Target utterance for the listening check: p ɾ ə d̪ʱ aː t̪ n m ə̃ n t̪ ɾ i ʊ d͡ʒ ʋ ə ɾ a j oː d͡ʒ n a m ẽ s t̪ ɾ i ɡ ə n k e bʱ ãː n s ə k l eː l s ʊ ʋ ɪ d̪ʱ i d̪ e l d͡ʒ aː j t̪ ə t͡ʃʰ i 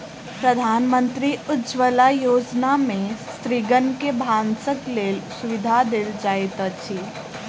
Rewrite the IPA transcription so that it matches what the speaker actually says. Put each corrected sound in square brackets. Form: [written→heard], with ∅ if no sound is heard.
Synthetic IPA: p ɾ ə d̪ʱ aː [t̪→∅] n m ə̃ n t̪ ɾ i ʊ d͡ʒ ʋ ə [ɾ→l] a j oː d͡ʒ n a m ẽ s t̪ ɾ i ɡ ə n k e bʱ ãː n s ə k l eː l s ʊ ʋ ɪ d̪ʱ [i→a] d̪ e l d͡ʒ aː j t̪ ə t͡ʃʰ i